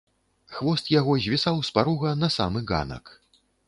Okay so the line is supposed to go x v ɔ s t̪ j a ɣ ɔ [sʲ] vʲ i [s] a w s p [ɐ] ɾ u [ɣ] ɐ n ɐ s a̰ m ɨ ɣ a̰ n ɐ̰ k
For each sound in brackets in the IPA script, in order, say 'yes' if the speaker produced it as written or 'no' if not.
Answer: no, yes, no, yes

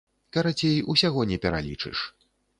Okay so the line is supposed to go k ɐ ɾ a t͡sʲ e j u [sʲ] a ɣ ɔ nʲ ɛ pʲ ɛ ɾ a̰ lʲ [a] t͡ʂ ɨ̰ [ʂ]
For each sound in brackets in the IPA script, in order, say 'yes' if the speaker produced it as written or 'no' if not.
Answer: yes, no, yes

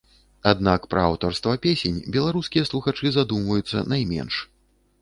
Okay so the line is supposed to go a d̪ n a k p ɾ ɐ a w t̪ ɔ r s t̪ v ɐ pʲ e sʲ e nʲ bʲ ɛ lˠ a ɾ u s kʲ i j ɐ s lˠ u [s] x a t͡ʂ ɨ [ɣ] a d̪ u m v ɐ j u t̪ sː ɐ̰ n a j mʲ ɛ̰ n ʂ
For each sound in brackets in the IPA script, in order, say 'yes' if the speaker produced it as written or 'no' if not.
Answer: no, no

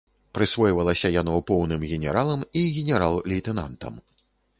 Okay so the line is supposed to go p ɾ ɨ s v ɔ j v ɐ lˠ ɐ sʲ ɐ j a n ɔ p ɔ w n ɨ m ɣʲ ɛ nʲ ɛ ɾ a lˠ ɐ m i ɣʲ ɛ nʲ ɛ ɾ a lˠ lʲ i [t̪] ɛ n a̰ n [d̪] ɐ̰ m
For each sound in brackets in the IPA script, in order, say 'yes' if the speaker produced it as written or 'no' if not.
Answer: yes, no

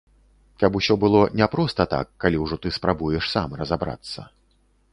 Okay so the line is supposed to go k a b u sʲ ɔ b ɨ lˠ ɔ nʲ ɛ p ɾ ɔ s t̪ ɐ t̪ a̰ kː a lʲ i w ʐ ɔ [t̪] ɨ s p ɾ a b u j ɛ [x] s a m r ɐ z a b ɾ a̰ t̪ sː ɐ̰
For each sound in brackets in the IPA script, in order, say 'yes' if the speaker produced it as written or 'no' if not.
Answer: yes, no

